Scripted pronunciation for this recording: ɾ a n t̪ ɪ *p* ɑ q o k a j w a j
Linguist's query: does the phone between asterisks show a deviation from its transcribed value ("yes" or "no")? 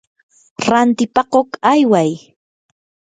no